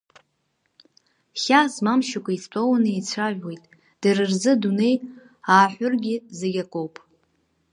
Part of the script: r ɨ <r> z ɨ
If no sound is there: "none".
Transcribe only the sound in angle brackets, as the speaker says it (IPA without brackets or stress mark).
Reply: r